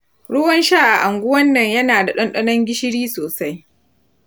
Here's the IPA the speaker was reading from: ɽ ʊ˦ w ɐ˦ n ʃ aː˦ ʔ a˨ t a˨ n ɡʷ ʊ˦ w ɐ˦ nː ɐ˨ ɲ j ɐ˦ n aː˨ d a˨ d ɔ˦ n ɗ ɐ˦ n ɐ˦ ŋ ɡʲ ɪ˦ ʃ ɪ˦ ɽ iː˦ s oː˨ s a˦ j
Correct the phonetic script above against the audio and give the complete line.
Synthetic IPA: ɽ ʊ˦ w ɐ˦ n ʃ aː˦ ʔ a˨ ʔ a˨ ŋ ɡʷ ʊ˦ w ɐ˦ nː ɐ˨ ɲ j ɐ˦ n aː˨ d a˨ ɗ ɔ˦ n ɗ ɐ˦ n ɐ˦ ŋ ɡʲ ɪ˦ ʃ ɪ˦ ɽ iː˦ s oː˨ s a˦ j

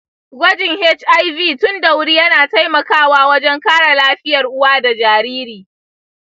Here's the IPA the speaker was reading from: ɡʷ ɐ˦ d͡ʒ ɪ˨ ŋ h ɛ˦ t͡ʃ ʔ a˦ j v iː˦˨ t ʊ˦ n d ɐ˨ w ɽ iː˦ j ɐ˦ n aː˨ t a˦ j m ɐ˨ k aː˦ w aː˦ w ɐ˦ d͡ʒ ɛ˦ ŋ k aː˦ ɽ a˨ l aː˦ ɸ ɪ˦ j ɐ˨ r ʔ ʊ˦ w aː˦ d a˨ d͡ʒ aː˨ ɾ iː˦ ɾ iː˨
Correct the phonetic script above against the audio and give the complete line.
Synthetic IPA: ɡʷ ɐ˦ d͡ʒ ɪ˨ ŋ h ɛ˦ t͡ʃ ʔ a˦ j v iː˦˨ t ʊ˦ n d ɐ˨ w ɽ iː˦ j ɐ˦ n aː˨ t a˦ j m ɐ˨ k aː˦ w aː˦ w ɐ˦ d͡ʒ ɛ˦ ŋ k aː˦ ɽ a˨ l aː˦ ɸ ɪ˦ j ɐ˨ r ʔ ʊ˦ w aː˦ d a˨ d͡ʒ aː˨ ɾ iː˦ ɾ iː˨

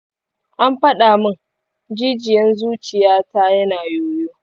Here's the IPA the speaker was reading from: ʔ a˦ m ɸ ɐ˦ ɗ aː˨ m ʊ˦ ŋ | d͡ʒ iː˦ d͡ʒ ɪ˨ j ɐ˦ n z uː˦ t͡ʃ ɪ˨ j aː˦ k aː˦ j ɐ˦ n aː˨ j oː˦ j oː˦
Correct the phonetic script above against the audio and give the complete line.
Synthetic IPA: ʔ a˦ m ɸ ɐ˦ ɗ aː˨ m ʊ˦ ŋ | d͡ʒ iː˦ d͡ʒ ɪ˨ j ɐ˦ n z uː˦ t͡ʃ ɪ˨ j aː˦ t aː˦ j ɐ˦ n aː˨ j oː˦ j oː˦

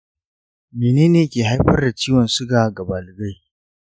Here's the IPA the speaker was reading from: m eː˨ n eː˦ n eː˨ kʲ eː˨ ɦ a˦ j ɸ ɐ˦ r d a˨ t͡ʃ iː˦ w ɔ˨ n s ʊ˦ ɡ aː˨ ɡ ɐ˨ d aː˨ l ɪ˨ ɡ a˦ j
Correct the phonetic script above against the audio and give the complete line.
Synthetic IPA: m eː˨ n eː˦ n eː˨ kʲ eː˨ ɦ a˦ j ɸ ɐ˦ r d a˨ t͡ʃ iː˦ w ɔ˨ n s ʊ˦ ɡ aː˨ ɡ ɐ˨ b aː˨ l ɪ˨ ɡ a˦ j

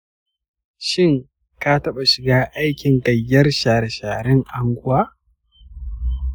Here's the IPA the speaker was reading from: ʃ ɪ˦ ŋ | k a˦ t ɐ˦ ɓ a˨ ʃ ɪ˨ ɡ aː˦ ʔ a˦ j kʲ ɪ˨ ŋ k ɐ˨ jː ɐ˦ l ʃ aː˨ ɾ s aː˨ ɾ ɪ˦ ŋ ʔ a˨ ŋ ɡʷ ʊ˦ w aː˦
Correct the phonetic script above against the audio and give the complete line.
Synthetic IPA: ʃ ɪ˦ ŋ | k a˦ t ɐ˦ ɓ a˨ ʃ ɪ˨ ɡ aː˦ ʔ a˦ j kʲ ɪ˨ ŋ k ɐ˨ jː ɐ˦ r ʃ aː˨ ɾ ʃ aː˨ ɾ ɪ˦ ŋ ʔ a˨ ŋ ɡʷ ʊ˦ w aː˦

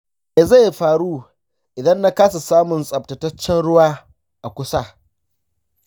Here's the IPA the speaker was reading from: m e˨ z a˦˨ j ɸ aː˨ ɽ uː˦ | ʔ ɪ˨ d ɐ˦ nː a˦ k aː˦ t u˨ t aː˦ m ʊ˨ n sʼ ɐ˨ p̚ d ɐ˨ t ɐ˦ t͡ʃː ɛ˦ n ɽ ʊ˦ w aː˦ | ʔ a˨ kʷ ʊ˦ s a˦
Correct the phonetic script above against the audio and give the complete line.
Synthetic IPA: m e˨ z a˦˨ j ɸ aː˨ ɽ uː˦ | ʔ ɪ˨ d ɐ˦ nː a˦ k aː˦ s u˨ s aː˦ m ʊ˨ n sʼ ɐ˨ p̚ t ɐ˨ t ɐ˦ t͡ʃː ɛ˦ n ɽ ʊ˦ w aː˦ | ʔ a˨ kʷ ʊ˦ s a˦

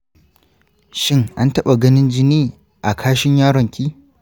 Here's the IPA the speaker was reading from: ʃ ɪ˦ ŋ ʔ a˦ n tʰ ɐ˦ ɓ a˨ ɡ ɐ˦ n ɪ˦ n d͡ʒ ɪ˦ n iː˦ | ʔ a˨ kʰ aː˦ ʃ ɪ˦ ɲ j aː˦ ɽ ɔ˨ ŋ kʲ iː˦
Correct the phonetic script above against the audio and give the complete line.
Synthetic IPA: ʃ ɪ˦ ŋ ʔ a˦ n t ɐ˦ ɓ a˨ ɡ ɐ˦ n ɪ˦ n d͡ʒ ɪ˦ n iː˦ | ʔ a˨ kʰ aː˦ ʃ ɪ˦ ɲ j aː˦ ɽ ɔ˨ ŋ kʲ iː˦

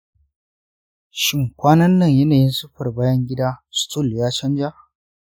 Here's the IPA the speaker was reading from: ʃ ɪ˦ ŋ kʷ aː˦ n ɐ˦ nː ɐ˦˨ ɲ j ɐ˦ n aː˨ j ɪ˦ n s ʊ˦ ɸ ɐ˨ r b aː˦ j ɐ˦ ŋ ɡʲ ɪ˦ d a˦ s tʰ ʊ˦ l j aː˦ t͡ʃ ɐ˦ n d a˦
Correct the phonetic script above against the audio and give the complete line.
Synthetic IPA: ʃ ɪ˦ ŋ kʷ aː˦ n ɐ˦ nː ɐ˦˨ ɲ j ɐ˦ n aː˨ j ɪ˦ n s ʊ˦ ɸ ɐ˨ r b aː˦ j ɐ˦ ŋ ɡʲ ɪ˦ d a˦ s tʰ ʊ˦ l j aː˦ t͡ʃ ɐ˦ n d͡ʒ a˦

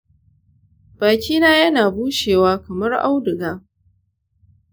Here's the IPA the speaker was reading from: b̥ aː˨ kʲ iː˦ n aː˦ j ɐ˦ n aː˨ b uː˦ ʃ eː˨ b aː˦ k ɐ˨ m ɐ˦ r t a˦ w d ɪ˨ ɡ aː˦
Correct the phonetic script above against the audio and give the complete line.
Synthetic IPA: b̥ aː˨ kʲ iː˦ n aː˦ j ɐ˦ n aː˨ b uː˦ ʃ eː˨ w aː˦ k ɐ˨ m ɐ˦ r ʔ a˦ w d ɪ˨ ɡ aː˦

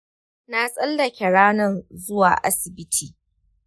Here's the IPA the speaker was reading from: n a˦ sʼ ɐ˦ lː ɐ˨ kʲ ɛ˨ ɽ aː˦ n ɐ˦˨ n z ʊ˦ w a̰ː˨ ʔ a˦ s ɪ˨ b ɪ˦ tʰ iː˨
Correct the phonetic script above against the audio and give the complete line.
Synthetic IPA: n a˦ sʼ ɐ˦ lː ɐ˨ kʲ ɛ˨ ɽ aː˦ n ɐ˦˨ n z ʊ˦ w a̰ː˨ ʔ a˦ s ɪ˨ b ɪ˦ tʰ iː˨

